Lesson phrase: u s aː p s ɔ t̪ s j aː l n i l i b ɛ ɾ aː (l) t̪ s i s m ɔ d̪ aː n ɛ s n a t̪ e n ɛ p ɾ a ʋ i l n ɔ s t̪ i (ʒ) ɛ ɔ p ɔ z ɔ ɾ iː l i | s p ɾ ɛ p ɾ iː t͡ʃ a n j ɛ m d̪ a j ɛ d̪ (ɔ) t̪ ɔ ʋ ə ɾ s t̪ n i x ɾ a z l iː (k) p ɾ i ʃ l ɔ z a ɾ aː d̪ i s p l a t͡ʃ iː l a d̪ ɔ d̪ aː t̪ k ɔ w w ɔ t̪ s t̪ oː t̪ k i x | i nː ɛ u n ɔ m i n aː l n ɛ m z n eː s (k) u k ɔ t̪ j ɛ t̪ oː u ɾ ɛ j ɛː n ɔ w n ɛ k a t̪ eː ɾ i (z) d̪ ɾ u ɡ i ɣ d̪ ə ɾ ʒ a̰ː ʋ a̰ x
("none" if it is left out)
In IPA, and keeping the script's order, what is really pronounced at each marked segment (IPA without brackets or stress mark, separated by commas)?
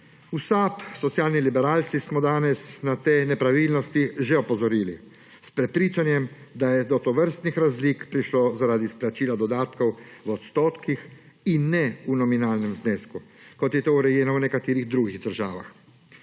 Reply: l, ʒ, ɔ, k, k, ɣ